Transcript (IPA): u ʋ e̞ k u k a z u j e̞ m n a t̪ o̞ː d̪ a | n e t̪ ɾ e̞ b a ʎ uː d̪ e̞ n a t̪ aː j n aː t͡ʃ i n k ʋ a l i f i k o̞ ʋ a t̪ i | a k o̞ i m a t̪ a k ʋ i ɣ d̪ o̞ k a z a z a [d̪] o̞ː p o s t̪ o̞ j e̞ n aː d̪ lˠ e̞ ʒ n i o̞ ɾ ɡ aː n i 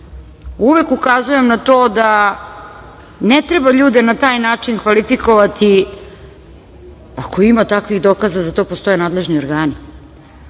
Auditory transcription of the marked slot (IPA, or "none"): t̪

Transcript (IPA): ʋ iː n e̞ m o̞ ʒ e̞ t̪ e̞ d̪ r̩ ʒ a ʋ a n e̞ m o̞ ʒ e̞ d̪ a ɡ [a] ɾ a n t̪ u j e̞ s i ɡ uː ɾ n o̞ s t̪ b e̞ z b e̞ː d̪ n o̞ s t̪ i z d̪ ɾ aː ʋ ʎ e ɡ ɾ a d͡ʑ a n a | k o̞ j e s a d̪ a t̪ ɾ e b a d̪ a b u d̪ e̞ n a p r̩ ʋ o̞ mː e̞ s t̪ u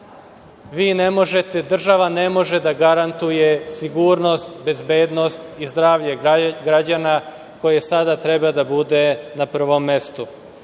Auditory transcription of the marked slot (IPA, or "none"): a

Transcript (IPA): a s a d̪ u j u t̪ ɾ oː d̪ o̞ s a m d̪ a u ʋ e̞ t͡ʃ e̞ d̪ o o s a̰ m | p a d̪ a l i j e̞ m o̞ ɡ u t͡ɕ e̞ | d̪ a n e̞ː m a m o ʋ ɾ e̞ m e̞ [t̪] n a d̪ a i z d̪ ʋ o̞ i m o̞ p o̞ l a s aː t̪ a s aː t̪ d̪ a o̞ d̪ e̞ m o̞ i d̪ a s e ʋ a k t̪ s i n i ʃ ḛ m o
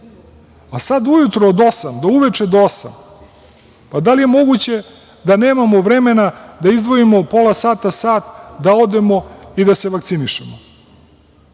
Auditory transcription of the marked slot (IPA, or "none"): none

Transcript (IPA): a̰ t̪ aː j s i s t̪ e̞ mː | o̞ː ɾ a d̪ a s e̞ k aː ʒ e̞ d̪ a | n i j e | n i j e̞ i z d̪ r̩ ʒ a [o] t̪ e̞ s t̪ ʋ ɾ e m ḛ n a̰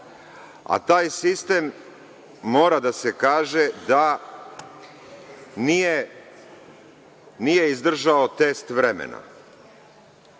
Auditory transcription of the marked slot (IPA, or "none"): o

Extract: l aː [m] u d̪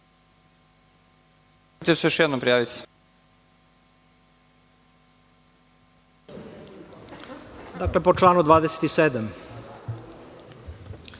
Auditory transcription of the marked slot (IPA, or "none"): n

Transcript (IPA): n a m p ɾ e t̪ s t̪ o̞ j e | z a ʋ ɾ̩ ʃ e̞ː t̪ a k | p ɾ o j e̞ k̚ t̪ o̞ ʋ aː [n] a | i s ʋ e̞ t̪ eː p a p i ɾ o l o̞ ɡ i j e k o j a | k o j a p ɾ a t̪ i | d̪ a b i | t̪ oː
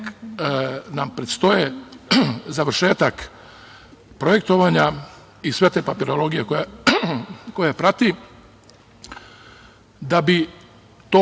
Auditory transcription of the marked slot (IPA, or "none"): ɲ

